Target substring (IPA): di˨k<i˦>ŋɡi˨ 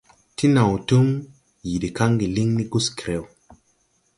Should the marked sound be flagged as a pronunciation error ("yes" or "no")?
yes